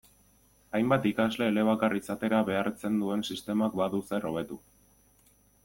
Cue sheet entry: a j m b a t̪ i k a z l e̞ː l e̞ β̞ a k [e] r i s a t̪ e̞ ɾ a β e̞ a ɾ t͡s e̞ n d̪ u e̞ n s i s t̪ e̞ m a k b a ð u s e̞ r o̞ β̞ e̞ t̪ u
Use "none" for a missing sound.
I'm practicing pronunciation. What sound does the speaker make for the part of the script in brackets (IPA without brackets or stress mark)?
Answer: a